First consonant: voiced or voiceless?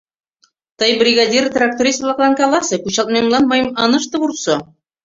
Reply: voiceless